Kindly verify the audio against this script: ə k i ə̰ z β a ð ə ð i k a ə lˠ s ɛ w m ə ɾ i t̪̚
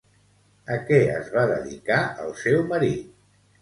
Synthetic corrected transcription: ə k ɛ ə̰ z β a ð ə ð i k a ə lˠ s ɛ w m ə ɾ i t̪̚